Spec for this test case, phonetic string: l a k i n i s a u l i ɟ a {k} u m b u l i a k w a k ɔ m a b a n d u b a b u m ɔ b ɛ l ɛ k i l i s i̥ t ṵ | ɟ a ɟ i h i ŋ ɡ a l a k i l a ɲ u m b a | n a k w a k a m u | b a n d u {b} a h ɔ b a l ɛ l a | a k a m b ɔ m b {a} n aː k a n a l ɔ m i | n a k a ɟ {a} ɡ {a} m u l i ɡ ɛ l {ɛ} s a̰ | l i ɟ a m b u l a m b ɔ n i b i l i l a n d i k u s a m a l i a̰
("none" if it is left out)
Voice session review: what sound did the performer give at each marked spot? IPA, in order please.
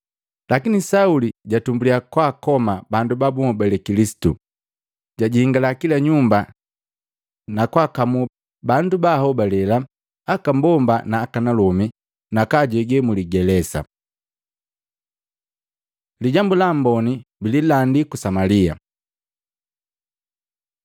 t, b, a, ɛ, ɛ, ɛ

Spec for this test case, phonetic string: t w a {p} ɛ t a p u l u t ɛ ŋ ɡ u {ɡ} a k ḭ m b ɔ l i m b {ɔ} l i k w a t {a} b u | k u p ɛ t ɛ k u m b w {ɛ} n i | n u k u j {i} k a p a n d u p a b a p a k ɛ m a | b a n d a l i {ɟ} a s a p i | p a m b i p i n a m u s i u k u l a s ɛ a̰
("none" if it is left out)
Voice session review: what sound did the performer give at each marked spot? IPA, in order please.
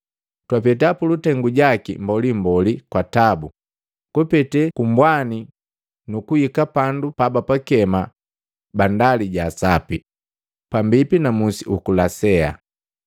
p, ɟ, ɔ, a, a, i, ɟ

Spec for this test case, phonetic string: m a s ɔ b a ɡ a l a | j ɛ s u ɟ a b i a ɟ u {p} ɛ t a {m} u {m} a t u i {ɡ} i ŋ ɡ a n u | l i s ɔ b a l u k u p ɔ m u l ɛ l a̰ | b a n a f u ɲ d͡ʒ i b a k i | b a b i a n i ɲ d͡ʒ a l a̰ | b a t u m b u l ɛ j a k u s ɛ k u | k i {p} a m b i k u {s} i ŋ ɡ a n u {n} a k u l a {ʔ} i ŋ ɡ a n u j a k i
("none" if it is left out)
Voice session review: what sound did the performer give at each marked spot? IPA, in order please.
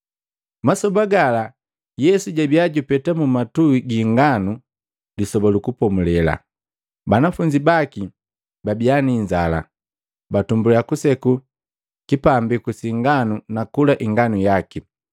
p, m, m, ɡ, p, s, n, ʔ

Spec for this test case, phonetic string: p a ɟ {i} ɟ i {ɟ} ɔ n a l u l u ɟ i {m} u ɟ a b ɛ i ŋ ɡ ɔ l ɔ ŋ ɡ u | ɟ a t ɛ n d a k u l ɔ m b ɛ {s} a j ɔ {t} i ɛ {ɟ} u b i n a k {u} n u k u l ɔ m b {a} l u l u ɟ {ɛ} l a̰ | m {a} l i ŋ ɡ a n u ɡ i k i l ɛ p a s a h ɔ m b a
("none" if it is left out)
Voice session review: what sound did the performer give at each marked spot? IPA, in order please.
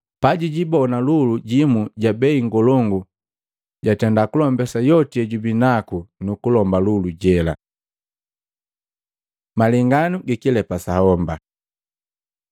i, b, m, s, t, ɟ, u, a, ɛ, a

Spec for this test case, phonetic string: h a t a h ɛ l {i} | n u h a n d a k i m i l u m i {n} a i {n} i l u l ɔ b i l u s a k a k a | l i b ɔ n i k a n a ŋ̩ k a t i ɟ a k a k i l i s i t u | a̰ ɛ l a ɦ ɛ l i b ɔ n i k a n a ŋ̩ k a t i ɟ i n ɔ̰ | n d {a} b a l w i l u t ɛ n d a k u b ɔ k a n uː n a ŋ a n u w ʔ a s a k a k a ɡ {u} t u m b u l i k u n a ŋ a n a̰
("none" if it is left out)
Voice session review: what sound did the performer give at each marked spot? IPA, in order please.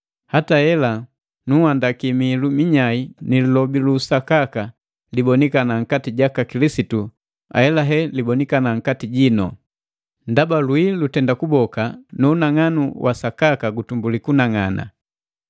a, ɲ, n, a, u

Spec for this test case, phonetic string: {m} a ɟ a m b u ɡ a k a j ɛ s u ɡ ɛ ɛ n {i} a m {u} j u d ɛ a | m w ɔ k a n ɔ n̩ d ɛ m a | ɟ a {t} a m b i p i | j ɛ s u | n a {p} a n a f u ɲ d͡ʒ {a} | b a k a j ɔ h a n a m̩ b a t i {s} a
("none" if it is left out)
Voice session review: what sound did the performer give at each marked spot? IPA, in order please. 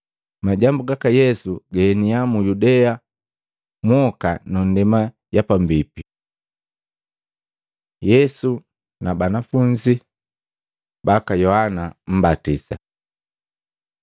m, i, u, p, b, i, s

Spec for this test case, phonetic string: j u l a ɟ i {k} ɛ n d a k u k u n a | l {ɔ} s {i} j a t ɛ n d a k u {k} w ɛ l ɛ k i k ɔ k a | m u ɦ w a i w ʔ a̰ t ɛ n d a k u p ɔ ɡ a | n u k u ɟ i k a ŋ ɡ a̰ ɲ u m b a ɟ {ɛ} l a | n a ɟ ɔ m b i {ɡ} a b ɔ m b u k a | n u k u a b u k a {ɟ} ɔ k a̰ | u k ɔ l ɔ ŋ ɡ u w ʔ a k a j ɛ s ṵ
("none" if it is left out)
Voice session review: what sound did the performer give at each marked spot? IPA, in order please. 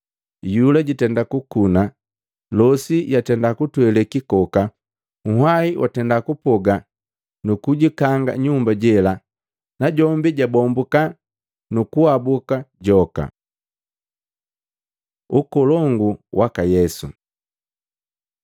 t, ɔ, i, t, ɛ, ɟ, ɟ

